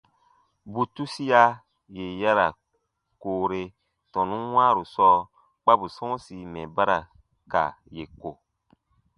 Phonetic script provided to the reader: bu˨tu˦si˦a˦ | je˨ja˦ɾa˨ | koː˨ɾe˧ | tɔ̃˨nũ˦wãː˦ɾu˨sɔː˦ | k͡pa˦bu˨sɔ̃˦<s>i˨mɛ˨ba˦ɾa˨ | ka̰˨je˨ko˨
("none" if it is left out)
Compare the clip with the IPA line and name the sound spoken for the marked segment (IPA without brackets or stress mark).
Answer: s